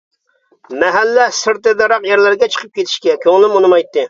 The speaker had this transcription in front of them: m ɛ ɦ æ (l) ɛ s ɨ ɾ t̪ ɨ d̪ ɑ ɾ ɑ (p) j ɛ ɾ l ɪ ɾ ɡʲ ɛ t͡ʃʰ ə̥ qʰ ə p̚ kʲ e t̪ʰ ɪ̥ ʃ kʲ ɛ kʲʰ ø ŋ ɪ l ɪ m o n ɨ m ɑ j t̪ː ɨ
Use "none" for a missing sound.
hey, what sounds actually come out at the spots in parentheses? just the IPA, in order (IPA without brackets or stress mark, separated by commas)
lː, q